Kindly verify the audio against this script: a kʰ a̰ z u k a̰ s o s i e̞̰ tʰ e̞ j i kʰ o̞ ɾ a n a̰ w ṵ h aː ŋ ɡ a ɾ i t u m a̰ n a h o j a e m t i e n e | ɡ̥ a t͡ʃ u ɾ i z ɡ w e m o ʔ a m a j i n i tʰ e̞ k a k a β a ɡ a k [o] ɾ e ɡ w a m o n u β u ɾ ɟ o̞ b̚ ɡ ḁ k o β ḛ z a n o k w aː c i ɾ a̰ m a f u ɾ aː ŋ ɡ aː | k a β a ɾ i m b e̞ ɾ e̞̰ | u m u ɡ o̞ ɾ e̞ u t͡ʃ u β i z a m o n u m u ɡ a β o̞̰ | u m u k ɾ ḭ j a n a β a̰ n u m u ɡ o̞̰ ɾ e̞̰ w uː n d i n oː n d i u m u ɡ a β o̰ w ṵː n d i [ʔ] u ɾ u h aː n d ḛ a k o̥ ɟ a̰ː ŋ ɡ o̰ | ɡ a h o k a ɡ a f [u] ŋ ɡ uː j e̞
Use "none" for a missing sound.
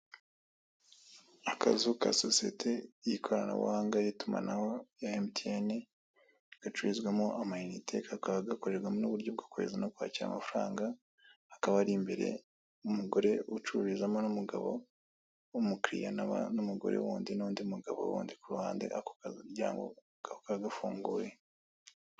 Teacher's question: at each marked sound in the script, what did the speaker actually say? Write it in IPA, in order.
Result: o, k, uː

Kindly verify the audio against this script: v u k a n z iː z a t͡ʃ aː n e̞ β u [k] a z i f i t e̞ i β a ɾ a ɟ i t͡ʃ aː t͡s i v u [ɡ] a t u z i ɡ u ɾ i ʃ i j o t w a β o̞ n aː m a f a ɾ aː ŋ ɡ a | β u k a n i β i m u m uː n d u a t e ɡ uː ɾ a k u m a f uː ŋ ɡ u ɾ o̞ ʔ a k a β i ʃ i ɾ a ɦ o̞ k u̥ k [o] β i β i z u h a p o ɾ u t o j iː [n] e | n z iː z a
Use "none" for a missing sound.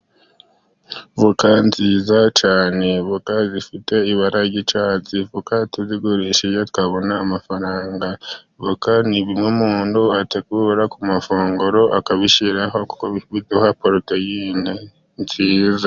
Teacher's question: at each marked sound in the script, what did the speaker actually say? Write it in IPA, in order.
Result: k, k, o, n

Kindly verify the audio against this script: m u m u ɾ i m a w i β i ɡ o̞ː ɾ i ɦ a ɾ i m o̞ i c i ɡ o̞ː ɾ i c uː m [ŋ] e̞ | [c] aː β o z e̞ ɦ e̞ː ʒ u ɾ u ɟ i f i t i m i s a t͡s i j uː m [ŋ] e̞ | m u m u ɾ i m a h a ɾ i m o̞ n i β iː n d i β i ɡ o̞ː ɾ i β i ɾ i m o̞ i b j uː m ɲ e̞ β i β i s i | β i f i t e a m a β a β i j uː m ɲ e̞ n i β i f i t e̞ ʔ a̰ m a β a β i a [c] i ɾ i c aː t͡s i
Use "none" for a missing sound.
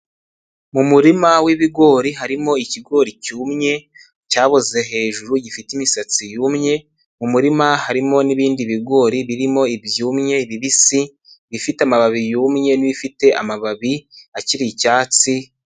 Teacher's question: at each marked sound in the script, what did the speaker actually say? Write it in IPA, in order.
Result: ɲ, c, ɲ, c

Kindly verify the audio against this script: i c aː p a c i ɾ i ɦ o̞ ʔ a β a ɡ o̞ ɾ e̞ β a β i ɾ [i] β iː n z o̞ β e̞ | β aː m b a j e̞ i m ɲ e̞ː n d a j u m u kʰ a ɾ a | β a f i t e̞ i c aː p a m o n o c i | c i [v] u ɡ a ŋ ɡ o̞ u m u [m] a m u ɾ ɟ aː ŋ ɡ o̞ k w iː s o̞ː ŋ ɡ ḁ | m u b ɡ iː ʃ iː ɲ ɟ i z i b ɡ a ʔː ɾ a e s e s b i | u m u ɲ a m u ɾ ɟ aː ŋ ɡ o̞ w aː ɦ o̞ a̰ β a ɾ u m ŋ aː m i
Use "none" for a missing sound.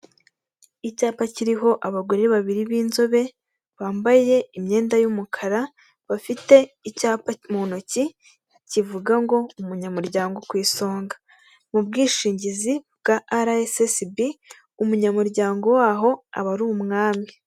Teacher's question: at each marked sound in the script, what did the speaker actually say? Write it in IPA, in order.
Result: i, v, ɲ

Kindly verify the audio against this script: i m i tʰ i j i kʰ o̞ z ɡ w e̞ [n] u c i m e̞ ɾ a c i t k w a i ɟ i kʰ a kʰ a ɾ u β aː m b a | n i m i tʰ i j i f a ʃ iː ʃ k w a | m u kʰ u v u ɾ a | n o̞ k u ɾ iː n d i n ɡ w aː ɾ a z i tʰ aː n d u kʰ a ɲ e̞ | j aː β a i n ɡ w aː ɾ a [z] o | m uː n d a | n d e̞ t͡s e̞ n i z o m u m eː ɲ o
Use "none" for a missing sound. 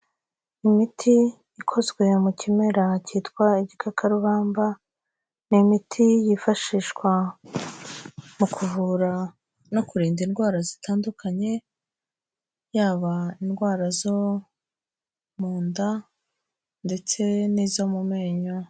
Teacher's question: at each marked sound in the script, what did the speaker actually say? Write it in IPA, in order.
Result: m, z

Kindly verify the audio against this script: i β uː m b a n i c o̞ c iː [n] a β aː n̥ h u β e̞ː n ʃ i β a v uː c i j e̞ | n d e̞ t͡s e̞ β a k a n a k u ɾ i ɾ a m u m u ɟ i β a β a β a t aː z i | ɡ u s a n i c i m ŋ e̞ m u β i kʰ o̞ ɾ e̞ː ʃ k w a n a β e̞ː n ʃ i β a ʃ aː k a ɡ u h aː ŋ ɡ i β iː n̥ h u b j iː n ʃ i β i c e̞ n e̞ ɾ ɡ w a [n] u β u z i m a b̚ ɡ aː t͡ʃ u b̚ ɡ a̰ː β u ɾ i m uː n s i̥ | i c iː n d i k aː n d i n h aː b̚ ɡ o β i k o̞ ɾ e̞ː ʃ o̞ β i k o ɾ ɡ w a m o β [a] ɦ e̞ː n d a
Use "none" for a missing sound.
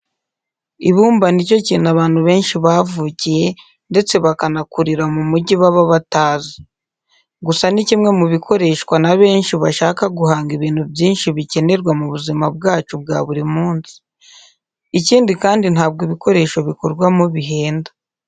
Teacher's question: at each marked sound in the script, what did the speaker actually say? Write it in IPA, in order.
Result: n, m, i

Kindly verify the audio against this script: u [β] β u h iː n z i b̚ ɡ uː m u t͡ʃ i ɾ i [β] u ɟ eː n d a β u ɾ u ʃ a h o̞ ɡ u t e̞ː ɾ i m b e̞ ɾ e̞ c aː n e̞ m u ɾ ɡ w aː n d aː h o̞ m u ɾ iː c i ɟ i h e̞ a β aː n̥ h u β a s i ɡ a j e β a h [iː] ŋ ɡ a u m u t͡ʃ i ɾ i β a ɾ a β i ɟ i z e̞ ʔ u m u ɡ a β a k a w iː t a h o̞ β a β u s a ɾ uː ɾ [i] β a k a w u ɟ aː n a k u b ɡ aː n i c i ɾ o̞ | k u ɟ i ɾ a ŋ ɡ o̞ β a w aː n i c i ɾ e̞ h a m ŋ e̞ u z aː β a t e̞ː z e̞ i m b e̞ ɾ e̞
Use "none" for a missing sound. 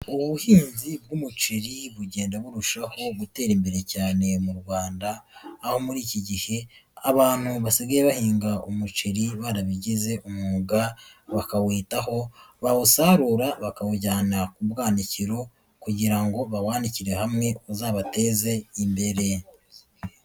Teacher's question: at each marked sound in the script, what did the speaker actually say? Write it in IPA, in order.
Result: β, β, iː, a

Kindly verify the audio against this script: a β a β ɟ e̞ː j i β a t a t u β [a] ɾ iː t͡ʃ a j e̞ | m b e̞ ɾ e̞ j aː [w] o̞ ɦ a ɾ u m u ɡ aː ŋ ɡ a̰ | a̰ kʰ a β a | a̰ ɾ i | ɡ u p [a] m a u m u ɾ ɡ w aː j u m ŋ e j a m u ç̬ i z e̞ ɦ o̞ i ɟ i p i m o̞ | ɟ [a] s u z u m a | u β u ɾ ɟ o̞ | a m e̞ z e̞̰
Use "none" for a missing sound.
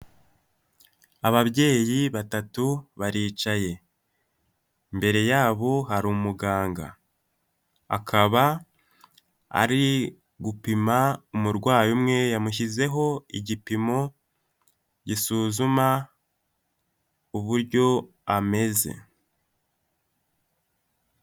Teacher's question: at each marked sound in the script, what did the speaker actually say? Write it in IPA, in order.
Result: a, β, i, i

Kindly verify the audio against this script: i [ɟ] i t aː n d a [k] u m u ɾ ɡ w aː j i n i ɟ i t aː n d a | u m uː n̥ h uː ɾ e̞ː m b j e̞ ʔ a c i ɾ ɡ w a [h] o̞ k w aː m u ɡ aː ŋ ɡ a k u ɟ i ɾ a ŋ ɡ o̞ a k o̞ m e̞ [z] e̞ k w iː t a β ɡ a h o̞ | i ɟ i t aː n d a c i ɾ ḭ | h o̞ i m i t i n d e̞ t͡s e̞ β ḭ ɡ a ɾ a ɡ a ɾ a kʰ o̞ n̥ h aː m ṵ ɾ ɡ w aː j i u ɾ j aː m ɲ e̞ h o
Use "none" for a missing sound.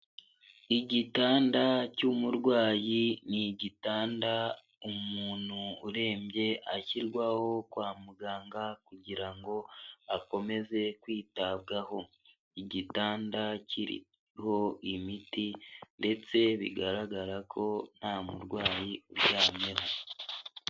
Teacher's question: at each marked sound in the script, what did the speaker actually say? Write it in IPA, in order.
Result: ɟ, c, h, z

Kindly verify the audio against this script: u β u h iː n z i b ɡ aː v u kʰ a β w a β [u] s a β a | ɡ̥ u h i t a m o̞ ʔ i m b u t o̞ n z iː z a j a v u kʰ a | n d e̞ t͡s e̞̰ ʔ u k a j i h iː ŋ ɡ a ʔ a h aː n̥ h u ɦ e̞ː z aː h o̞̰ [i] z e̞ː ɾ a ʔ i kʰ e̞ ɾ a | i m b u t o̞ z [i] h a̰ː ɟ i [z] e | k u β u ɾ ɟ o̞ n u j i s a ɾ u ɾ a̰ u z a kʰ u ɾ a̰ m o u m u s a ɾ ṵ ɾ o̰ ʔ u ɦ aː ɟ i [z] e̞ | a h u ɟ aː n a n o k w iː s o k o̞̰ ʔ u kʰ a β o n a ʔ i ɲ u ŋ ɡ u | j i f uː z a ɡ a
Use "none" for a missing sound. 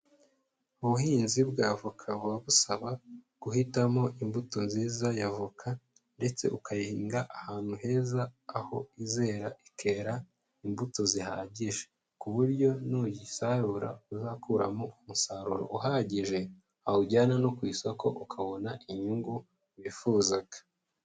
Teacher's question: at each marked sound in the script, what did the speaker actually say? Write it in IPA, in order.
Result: u, i, i, ʒ, ʒ

